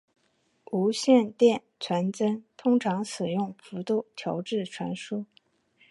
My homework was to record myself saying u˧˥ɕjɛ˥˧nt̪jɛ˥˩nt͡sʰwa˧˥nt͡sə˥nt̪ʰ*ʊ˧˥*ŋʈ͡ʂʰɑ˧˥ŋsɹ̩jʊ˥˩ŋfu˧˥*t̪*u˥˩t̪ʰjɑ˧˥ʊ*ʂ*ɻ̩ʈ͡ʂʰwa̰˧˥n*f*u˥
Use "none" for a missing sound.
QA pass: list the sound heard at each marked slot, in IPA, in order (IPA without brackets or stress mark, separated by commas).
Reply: ʊ˥, t̪, ʈ͡ʂ, ʂ